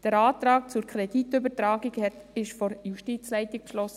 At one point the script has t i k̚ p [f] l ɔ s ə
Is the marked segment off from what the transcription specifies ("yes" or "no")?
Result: yes